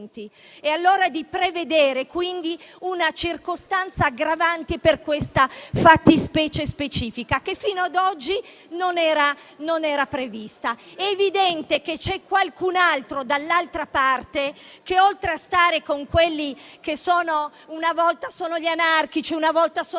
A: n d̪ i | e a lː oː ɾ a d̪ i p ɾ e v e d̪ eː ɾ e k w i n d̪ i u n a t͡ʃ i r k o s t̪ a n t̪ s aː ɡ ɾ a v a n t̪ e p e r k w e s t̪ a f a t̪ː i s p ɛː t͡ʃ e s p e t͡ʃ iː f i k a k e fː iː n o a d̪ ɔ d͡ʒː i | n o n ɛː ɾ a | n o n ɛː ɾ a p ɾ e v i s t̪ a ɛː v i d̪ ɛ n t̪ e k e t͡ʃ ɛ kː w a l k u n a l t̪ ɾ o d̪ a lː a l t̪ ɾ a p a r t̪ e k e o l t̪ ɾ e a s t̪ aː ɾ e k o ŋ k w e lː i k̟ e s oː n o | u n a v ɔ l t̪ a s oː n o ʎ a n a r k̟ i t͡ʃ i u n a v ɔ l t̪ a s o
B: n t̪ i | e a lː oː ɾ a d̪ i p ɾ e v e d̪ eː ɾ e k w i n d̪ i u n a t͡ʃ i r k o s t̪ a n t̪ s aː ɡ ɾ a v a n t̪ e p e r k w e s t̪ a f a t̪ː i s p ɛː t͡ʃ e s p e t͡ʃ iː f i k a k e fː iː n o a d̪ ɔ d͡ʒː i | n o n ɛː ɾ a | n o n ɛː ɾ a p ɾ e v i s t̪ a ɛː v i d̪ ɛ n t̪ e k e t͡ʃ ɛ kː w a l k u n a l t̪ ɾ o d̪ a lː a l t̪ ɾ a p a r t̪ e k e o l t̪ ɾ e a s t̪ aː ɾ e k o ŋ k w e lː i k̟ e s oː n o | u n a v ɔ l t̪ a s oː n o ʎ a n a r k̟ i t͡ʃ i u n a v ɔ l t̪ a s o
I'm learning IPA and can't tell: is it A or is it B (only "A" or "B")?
B